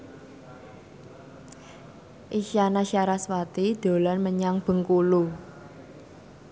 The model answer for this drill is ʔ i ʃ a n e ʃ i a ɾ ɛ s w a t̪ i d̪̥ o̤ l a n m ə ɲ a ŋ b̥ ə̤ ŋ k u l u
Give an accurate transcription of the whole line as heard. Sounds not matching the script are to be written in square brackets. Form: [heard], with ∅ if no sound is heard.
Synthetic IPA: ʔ i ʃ a n [a] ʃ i a ɾ [a] s w a t̪ i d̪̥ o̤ l a n m ə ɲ a ŋ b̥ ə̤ ŋ k u l u